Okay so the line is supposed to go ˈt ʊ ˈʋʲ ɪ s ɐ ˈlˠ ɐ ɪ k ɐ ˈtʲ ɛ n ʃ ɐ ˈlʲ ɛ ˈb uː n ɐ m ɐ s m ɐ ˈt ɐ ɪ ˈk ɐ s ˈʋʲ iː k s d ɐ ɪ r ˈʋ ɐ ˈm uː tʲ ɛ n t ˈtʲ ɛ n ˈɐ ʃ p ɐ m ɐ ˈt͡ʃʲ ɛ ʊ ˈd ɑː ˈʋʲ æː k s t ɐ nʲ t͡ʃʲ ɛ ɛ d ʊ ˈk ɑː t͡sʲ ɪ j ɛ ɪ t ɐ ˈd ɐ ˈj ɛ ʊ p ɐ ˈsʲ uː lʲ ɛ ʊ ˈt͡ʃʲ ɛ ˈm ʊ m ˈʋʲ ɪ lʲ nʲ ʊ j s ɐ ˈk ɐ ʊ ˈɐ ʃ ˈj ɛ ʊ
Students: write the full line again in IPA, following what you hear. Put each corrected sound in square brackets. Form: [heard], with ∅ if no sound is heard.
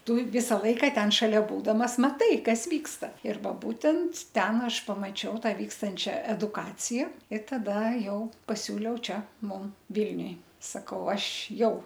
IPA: ˈt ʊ ˈʋʲ ɪ s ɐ ˈlˠ ɐ ɪ k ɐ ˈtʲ ɛ n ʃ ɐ ˈlʲ ɛ ˈb uː [d] ɐ m ɐ s m ɐ ˈt ɐ ɪ ˈk ɐ s ˈʋʲ iː k s [t] ɐ ɪ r ˈʋ ɐ [ˈb] uː tʲ ɛ n t ˈtʲ ɛ n ˈɐ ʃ p ɐ m ɐ ˈt͡ʃʲ ɛ ʊ [ˈt] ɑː ˈʋʲ [iː] k s t ɐ nʲ t͡ʃʲ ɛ ɛ d ʊ ˈk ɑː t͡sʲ ɪ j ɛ ɪ t ɐ ˈd ɐ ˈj ɛ ʊ p ɐ ˈsʲ uː lʲ ɛ ʊ ˈt͡ʃʲ ɛ ˈm ʊ m ˈʋʲ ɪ lʲ nʲ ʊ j s ɐ ˈk ɐ ʊ ˈɐ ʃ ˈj ɛ ʊ